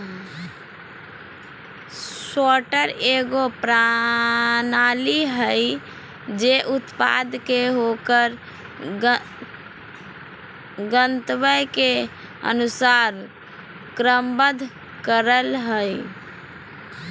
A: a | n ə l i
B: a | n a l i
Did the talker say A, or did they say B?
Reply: B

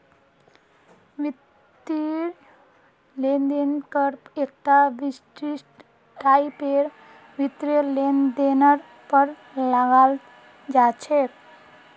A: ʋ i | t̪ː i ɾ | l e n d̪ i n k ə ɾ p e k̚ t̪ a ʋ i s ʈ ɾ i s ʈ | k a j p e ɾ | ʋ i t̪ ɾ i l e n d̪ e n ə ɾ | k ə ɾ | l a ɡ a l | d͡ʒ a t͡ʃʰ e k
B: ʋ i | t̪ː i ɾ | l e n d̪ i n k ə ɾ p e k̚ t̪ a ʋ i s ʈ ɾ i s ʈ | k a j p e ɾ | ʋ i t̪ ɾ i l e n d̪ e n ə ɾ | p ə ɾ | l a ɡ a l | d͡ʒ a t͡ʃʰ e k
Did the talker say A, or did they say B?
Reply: B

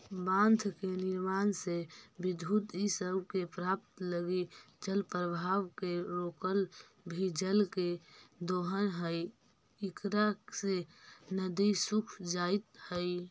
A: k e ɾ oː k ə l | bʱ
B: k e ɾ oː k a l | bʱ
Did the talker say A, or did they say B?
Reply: A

